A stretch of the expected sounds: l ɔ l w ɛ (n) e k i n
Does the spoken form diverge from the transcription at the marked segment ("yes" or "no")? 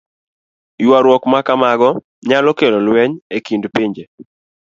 yes